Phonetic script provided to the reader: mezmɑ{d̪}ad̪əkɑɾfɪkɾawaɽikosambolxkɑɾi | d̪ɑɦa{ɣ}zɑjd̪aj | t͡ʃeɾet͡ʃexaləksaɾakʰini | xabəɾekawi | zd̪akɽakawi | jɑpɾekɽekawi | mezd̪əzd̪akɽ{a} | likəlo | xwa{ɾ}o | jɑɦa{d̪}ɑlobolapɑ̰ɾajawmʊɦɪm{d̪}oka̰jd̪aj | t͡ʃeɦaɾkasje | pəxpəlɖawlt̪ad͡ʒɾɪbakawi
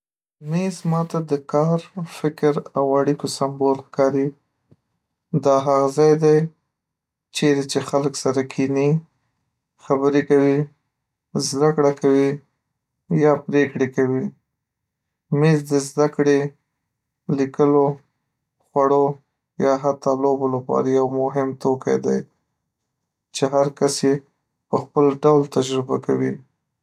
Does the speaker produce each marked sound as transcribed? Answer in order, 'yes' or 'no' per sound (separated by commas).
no, yes, no, no, no, no